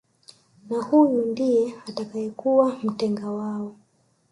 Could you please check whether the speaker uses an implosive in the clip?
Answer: no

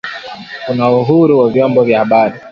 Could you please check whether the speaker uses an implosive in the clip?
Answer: yes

